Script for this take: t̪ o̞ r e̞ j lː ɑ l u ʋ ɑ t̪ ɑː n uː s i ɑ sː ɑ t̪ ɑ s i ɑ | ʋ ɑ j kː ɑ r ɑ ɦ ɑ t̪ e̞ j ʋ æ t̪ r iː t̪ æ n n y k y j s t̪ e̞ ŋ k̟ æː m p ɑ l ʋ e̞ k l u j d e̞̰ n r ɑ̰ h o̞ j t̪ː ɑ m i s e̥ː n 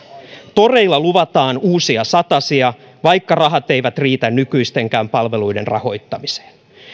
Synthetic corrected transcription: t̪ o̞ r e̞ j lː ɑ l u ʋ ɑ t̪ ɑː n uː s i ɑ s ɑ t̪ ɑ s i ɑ | ʋ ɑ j kː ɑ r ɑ ɦ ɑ t̪ e̞ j ʋ æ t̪ r iː t̪ æ n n y k y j s t̪ e̞ ŋ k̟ æː m p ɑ l ʋ e̞ l u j d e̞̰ n r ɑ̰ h o̞ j t̪ː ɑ m i s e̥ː n